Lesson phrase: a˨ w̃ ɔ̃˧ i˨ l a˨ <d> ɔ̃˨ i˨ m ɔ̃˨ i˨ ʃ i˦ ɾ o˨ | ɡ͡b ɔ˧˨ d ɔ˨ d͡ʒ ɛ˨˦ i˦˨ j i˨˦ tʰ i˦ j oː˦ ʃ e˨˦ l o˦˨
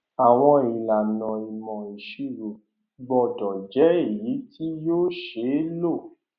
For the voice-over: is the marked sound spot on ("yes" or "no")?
no